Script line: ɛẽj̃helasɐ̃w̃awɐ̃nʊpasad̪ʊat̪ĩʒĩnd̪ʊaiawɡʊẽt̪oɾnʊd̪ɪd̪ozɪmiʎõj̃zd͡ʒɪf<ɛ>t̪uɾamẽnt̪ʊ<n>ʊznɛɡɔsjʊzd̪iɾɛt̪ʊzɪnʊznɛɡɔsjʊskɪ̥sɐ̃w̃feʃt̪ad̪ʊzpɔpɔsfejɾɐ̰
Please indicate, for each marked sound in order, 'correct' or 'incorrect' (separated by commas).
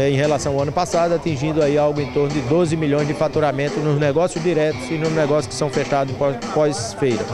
incorrect, correct